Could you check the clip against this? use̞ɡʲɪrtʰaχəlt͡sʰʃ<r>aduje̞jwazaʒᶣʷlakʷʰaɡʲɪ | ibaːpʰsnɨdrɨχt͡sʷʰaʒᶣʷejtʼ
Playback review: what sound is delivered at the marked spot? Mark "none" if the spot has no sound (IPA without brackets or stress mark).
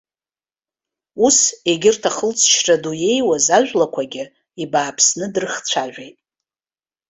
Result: r